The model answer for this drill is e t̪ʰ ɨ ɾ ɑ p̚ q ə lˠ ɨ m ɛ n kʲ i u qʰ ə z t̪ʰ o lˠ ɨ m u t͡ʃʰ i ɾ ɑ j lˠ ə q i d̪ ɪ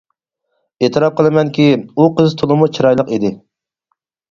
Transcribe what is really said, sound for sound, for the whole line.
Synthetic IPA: e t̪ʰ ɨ ɾ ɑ p̚ q ə lˠ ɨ m ɛ n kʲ i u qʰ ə z t̪ʰ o lˠ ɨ m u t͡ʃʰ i ɾ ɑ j lˠ ə q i d̪ ɪ